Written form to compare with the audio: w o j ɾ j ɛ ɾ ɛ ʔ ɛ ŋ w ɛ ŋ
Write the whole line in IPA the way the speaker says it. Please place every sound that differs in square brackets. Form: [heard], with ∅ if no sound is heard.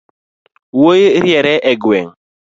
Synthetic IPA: w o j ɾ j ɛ ɾ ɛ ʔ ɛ [ɡ] w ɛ ŋ

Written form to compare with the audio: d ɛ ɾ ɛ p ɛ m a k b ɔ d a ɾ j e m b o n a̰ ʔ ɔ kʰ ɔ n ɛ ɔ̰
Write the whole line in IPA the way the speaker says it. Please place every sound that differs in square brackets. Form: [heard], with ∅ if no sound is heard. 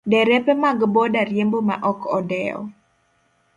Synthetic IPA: d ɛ ɾ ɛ p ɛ m a [ɡ] b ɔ d a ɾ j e m b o [m] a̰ ʔ ɔ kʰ ɔ [d] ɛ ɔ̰

